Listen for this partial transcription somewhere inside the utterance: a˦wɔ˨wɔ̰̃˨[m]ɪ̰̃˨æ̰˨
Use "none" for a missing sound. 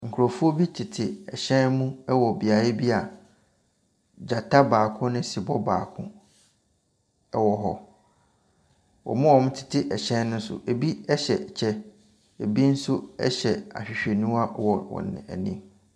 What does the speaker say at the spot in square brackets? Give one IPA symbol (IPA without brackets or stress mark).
n